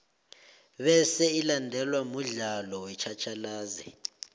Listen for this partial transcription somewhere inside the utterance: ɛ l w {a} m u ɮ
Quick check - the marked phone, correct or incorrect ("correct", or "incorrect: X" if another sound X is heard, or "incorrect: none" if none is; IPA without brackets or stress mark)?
correct